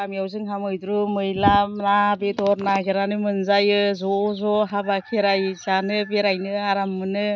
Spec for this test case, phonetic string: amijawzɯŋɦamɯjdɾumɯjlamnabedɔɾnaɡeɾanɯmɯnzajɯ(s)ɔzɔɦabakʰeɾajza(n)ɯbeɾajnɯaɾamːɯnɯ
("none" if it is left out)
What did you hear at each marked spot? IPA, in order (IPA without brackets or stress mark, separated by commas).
z, n